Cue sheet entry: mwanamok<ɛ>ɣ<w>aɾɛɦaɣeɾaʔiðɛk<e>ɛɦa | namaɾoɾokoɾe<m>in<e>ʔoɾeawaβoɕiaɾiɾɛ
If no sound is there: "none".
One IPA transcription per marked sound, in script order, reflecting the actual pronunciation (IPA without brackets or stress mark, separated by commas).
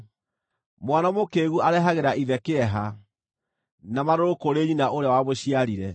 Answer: e, u, e, ɲ, a